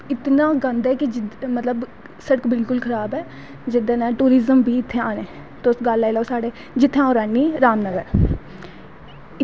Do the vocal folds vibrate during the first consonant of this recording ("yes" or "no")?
no